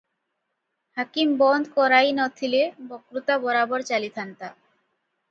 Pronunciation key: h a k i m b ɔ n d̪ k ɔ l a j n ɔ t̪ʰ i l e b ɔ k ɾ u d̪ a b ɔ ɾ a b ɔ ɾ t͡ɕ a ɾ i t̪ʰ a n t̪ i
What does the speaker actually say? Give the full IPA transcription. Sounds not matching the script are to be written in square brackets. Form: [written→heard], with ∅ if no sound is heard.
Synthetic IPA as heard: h a k i m b ɔ n d̪ k ɔ [l→ɾ] a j n ɔ t̪ʰ i l e b ɔ k ɾ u [d̪→t̪] a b ɔ ɾ a b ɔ ɾ t͡ɕ a [ɾ→l] i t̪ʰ a n t̪ [i→a]